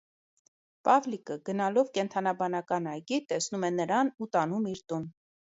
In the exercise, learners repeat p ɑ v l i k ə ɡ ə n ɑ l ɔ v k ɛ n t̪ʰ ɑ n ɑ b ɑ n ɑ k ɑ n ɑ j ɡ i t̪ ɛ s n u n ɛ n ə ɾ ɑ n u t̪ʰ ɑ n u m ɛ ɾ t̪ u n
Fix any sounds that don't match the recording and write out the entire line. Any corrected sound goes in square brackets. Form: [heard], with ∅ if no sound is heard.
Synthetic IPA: p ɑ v l i k ə ɡ ə n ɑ l ɔ v k ɛ n t̪ʰ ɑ n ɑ b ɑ n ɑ k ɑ n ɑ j ɡ i t̪ ɛ s n u [m] ɛ n ə ɾ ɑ n u [t̪] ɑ n u m [i] ɾ t̪ u n